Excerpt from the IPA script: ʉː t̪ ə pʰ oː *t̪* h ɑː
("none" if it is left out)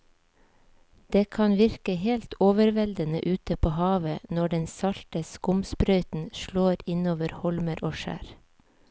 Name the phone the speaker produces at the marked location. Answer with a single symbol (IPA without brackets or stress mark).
none